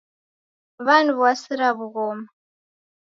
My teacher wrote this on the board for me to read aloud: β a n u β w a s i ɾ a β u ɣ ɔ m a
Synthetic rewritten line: β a n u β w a s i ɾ a β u ɣ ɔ m a